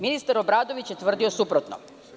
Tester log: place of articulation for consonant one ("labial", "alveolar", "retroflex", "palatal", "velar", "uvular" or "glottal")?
labial